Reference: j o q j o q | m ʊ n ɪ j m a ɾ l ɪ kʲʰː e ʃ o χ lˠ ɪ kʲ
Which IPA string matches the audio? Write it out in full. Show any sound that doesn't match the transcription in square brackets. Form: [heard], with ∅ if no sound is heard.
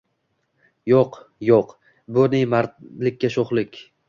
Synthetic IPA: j o q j o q | [b] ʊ n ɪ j m a ɾ l ɪ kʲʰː [a] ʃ o χ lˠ ɪ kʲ